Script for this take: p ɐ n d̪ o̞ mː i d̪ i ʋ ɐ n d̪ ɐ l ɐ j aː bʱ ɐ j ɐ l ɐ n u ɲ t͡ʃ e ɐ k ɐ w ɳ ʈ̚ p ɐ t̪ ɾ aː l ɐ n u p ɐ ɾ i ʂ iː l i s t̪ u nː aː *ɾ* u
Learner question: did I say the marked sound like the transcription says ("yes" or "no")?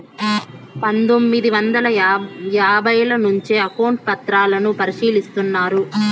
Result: yes